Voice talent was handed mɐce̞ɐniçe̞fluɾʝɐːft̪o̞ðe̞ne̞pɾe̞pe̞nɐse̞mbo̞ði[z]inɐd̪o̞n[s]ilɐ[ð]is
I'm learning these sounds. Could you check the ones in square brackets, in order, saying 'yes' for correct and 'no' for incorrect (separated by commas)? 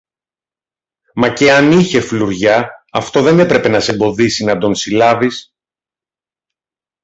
no, yes, no